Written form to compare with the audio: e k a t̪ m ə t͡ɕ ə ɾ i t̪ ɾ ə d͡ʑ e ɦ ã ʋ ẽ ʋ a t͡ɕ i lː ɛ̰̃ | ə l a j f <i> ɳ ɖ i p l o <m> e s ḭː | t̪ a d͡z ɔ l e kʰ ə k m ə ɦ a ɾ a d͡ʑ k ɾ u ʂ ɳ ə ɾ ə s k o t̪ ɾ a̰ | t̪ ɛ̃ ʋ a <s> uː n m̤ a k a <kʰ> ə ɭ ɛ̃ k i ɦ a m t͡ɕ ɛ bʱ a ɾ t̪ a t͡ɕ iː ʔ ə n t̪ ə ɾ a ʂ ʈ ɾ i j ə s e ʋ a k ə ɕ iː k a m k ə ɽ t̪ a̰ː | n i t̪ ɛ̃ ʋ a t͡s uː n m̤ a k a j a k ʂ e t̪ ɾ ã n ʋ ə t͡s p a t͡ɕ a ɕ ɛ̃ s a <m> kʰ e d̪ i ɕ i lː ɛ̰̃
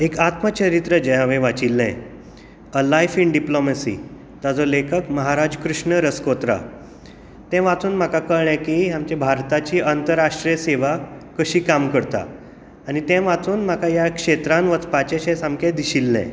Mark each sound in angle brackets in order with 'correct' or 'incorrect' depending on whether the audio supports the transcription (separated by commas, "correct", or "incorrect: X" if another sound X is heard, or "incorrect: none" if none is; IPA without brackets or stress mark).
correct, correct, incorrect: t͡s, incorrect: k, correct